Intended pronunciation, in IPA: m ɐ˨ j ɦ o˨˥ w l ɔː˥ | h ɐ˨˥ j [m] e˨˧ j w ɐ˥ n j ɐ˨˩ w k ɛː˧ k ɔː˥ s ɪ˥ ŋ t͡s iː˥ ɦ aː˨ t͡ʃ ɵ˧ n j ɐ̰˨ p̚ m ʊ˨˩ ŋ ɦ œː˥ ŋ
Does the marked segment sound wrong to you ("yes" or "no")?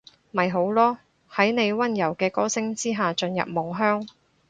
yes